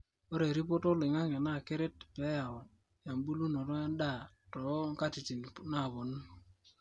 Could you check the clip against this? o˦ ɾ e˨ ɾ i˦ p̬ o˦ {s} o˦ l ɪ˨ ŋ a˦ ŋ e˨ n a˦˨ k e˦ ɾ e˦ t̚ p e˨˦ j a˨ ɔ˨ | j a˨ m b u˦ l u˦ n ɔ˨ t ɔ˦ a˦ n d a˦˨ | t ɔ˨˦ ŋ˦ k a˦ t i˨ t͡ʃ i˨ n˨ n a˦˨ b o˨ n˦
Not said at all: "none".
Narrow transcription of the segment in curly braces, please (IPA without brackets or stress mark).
t